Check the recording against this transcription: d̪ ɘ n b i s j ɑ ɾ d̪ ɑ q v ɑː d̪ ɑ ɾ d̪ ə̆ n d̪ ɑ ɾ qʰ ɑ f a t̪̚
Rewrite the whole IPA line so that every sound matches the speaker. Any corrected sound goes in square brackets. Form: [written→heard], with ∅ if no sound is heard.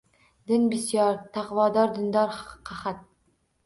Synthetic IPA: d̪ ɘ n b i s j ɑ ɾ [d̪→t̪] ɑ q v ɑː d̪ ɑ ɾ d̪ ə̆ n d̪ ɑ ɾ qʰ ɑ [f→χ] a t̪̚